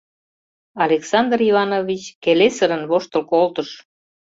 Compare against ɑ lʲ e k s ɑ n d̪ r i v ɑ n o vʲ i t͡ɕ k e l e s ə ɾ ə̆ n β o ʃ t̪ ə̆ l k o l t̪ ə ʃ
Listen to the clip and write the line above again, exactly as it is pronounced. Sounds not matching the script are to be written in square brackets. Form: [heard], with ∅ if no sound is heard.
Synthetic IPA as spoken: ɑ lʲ e k s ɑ n d̪ r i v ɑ n o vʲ i t͡ɕ k e l e s ə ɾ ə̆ n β o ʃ t̪ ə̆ l k o l t̪ ə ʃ